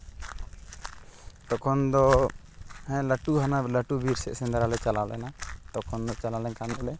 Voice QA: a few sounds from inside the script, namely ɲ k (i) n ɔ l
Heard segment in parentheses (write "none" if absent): a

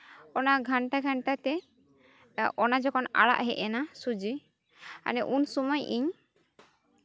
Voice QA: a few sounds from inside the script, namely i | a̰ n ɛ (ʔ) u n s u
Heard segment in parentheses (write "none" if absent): ʔ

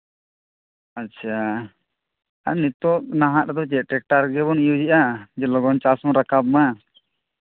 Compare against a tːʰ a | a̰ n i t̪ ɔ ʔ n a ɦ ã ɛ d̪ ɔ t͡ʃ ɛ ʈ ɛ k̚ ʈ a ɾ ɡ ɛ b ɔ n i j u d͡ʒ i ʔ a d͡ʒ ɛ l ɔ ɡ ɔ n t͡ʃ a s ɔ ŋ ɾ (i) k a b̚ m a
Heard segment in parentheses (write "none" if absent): a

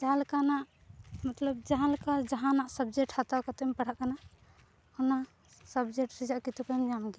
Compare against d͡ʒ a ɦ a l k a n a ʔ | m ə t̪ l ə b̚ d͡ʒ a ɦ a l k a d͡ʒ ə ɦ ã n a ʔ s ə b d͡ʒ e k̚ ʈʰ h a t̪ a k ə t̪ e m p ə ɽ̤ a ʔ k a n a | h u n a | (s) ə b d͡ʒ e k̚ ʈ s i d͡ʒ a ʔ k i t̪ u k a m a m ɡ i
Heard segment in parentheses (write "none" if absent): s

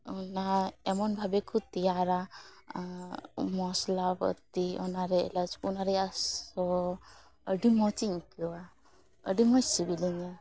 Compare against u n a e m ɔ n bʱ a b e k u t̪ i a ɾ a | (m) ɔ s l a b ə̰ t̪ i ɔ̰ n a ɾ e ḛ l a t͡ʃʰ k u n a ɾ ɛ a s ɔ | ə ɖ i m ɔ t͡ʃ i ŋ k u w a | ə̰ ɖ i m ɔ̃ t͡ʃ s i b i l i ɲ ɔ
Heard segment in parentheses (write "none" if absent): m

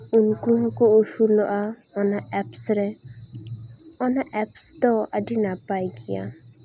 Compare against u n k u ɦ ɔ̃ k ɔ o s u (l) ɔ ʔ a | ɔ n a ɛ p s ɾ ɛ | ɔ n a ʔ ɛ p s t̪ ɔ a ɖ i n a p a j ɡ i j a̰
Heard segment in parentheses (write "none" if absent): l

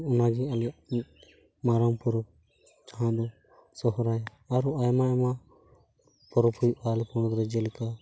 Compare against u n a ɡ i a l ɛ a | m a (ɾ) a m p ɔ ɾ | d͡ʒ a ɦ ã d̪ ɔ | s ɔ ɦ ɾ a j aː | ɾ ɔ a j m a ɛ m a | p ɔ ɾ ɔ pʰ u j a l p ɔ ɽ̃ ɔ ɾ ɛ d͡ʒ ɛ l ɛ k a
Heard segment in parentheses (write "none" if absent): ɾ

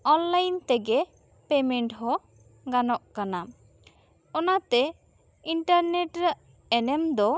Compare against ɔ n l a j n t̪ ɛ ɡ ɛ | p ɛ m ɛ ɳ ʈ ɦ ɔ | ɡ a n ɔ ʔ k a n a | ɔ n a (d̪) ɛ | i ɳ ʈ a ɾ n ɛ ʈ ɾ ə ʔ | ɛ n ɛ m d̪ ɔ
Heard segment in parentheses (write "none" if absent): t̪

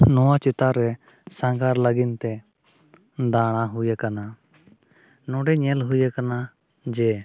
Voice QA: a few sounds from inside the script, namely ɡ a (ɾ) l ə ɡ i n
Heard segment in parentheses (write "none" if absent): ɾ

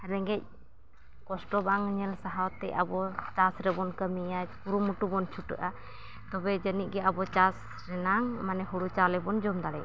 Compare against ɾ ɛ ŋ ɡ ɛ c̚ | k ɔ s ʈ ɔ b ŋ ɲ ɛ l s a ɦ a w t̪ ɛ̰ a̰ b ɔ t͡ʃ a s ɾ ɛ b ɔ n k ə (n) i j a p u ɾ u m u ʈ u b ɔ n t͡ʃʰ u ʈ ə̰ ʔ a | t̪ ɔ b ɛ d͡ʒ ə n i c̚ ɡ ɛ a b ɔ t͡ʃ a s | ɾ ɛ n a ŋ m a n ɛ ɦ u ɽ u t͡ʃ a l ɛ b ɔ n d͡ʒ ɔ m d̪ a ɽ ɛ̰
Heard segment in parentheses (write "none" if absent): m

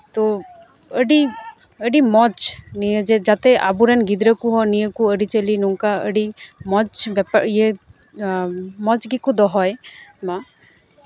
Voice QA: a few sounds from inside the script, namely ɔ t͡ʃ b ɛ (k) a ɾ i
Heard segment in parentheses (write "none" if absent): p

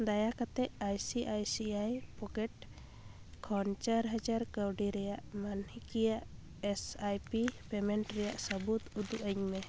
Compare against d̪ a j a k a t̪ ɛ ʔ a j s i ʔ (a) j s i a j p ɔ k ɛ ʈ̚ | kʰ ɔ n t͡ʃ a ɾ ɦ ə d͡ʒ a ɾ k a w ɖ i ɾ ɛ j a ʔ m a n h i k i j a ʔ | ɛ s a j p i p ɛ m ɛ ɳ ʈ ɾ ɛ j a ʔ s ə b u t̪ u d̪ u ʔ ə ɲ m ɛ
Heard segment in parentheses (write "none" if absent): a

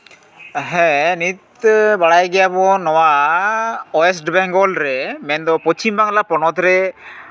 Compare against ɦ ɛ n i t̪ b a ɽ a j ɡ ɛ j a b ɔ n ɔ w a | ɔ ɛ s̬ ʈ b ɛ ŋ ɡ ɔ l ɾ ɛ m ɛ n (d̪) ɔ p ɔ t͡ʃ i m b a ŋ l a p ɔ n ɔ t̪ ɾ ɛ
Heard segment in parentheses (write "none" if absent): d̪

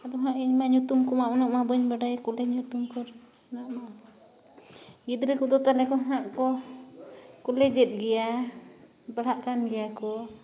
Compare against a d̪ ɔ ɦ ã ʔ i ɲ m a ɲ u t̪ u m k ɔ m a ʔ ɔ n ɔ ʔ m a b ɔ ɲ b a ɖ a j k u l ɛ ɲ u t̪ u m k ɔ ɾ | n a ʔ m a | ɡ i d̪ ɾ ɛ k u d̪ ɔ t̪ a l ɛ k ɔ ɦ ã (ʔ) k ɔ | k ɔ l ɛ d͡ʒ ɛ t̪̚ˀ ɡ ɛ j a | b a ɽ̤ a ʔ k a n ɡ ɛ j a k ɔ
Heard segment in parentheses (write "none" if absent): ʔ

